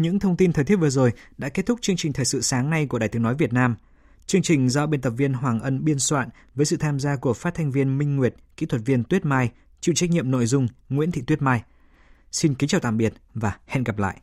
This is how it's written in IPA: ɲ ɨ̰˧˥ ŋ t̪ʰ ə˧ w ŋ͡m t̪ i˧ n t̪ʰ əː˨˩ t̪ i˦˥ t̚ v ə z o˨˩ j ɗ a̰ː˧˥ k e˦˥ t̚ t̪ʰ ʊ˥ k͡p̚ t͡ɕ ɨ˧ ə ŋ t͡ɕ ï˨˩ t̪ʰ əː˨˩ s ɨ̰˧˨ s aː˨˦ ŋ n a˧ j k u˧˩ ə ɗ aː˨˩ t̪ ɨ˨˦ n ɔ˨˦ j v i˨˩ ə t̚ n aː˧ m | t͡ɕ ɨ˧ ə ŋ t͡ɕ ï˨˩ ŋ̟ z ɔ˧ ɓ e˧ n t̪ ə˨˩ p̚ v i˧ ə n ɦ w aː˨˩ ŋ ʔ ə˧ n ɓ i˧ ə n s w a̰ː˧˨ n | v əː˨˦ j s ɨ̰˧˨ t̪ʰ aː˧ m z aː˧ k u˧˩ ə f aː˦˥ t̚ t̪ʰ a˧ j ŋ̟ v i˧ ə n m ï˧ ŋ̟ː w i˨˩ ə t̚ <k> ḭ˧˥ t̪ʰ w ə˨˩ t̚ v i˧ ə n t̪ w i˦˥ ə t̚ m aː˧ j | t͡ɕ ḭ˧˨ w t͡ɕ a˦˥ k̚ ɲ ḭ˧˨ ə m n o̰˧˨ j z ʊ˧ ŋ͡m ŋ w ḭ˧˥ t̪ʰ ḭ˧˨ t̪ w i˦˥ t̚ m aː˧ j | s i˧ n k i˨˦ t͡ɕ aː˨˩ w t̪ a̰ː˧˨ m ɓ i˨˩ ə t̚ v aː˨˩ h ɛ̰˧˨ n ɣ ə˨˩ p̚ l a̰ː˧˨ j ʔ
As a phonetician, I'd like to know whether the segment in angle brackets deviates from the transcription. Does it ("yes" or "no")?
no